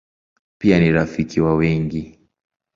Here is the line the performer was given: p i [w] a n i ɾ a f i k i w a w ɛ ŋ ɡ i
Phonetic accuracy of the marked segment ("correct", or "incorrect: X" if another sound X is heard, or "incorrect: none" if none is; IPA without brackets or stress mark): incorrect: none